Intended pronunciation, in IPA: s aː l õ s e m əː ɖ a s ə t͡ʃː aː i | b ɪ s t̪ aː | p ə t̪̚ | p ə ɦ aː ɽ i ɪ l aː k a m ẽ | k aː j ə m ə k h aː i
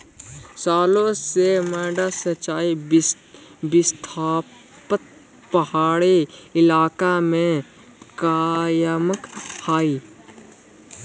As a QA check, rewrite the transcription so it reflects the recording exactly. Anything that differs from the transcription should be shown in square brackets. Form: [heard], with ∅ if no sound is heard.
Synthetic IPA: s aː l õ s e m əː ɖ a s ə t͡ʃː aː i | b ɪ s [t̪ʰ] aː | p ə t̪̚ | p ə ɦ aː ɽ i ɪ l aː k a m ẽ | k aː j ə m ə k h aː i

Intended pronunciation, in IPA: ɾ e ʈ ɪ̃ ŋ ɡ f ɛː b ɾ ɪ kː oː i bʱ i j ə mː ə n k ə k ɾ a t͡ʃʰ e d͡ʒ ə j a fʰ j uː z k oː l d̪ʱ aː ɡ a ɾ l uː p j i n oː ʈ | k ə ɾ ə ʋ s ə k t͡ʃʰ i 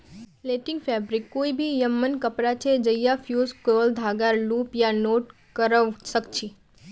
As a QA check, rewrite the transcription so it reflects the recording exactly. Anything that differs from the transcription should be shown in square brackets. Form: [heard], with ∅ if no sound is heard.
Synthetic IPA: [l] e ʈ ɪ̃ ŋ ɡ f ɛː b ɾ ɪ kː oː i bʱ i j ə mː ə n k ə [p] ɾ a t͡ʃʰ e d͡ʒ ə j a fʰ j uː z k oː l d̪ʱ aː ɡ a ɾ l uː p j [a] n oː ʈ | k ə ɾ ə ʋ s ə k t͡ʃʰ i

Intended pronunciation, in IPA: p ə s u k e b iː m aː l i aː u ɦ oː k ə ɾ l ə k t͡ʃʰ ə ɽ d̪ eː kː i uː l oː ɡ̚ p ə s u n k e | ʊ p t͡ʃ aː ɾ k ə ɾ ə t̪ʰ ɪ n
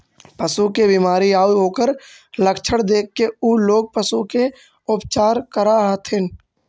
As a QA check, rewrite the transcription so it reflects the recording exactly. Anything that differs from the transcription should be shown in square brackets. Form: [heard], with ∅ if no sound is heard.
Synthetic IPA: p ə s u k e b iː m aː [ɾ] i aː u ɦ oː k ə ɾ l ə k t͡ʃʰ ə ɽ d̪ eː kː [e] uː l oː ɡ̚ p ə s u [∅] k e | ʊ p t͡ʃ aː ɾ k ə ɾ [a] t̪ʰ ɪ n

